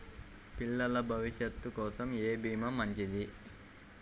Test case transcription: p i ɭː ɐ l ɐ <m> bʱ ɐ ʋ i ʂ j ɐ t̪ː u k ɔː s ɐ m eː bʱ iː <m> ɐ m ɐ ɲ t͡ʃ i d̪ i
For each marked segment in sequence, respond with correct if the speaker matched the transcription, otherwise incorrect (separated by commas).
incorrect, correct